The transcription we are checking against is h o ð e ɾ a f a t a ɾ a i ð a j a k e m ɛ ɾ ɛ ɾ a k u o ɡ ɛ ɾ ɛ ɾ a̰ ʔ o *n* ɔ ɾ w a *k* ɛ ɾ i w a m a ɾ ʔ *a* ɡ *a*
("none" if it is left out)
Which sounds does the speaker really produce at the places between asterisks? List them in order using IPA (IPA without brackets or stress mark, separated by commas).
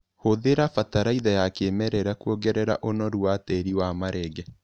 n, t, ɛ, ɛ